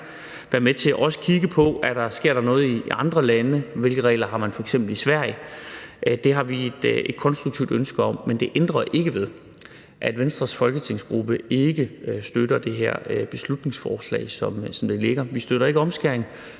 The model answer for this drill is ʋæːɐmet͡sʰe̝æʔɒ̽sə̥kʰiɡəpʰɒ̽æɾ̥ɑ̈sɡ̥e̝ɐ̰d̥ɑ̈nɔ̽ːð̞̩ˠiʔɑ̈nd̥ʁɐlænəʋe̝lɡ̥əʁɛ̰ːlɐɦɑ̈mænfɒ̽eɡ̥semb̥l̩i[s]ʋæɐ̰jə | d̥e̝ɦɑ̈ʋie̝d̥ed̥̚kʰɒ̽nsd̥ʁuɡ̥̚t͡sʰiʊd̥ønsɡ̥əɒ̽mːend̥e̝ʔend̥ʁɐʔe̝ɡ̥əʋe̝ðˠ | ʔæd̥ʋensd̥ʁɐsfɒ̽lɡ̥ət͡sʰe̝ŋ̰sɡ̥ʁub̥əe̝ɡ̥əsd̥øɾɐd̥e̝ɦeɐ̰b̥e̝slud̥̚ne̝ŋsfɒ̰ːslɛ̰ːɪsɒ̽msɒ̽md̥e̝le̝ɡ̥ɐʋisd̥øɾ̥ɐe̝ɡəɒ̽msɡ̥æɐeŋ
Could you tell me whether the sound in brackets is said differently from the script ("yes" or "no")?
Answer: no